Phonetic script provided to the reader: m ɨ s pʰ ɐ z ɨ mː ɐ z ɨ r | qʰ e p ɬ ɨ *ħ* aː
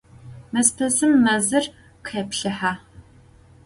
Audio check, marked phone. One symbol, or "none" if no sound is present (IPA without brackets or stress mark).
ħ